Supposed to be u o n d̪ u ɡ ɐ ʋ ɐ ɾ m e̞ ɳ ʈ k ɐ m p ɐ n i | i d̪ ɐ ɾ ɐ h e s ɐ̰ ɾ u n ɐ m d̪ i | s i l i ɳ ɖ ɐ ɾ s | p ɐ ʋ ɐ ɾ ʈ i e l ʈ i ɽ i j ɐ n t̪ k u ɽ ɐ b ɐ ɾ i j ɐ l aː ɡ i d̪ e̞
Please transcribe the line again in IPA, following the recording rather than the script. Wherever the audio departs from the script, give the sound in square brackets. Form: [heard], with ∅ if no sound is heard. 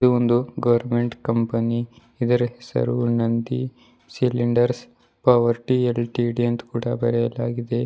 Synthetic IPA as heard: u o n d̪ u ɡ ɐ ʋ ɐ ɾ m e̞ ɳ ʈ k ɐ m p ɐ n i | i d̪ ɐ ɾ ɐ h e s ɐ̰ ɾ u n ɐ [n] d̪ i | s i l i ɳ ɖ ɐ ɾ s | p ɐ ʋ ɐ ɾ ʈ i e l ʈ i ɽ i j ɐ n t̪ k [uː] ɽ ɐ b ɐ ɾ [ɛ] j ɐ l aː ɡ i d̪ e̞

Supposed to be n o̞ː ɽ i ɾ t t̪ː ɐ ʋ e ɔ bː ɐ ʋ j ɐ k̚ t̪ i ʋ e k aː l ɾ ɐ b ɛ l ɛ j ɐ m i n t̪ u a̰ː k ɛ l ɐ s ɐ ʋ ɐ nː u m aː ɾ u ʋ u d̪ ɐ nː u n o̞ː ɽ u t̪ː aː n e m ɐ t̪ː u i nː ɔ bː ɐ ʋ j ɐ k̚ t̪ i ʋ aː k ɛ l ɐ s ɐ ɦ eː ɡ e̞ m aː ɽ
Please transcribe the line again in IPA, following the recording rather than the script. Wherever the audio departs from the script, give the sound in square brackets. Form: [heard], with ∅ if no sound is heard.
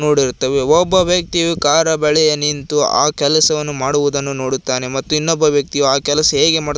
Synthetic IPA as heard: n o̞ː ɽ i ɾ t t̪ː ɐ ʋ e ɔ bː ɐ ʋ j ɐ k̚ t̪ i ʋ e k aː [∅] ɾ ɐ b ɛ [ɭ] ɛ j ɐ [n] i n t̪ u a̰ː k ɛ l ɐ s ɐ ʋ ɐ nː u m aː [ɽ] u ʋ u d̪ ɐ nː u n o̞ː ɽ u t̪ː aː n e m ɐ t̪ː u i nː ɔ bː ɐ ʋ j ɐ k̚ t̪ i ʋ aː k ɛ l ɐ s ɐ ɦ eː ɡ e̞ m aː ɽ

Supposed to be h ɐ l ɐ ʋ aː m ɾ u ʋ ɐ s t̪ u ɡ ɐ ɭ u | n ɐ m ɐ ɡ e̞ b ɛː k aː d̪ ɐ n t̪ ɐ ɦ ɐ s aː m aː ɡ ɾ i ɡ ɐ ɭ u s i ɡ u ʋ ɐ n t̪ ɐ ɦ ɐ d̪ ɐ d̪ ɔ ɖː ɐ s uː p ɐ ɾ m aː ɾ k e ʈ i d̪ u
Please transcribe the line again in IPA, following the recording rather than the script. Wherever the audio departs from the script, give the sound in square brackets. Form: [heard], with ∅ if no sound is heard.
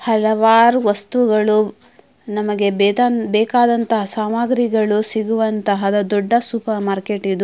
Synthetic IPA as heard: h ɐ l ɐ ʋ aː [∅] ɾ u ʋ ɐ s t̪ u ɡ ɐ ɭ u | n ɐ m ɐ ɡ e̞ b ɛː k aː d̪ ɐ n t̪ ɐ ɦ ɐ s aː m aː ɡ ɾ i ɡ ɐ ɭ u s i ɡ u ʋ ɐ n t̪ ɐ ɦ ɐ d̪ ɐ d̪ ɔ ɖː ɐ s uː p ɐ ɾ m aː ɾ k e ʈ i d̪ u

